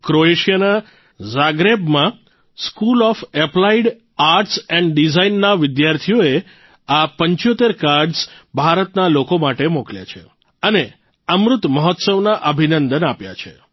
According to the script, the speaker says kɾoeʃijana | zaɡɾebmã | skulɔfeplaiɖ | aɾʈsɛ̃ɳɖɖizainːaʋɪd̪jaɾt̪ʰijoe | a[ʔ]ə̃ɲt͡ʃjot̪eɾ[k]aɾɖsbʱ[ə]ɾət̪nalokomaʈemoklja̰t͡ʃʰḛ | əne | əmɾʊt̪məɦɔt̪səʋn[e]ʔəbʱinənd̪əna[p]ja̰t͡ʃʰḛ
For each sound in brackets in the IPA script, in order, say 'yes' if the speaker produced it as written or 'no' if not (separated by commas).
no, yes, no, no, yes